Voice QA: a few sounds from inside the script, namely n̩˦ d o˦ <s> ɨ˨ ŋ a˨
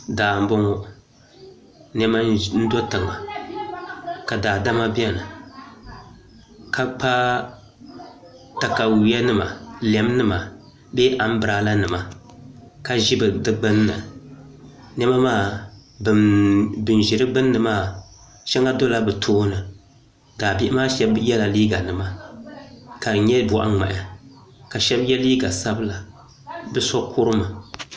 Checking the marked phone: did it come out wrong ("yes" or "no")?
yes